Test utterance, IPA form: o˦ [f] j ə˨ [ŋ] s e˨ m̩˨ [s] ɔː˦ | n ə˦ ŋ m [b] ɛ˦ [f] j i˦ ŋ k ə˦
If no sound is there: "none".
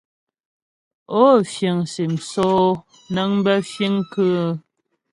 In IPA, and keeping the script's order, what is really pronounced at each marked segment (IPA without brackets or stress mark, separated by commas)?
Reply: f, ŋ, s, b, f